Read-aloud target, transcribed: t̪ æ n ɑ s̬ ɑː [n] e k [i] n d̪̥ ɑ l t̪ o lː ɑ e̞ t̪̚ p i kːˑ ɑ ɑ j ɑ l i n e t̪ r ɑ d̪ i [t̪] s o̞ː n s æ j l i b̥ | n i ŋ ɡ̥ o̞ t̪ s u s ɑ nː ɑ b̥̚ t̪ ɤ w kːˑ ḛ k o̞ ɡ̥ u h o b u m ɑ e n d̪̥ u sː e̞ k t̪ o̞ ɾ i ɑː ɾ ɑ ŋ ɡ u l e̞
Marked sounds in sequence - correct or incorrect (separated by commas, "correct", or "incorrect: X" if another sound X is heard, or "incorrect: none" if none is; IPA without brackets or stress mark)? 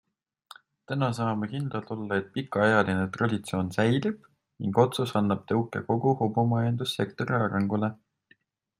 incorrect: m, correct, correct